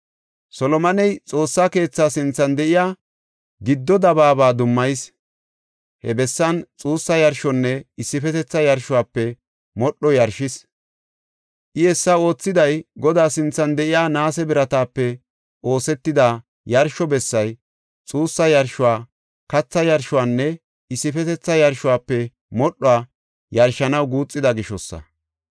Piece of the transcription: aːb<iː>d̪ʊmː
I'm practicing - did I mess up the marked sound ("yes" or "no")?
yes